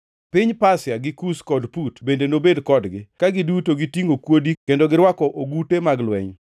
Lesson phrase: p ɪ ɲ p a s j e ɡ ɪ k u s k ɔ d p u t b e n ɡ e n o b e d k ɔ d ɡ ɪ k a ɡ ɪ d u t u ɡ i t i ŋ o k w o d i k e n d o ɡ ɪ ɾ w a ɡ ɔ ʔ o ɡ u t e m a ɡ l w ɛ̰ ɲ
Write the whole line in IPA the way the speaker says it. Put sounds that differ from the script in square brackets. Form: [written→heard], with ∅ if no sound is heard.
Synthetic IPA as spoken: p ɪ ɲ p a s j [e→a] ɡ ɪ k u s k ɔ d p u t b e n [ɡ→d] e n o b e d k ɔ d ɡ ɪ k a ɡ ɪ d u t [u→o] ɡ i t i ŋ o k w o d i k e n d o ɡ ɪ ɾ w a [ɡ→k] ɔ ʔ o ɡ u t e m a ɡ l w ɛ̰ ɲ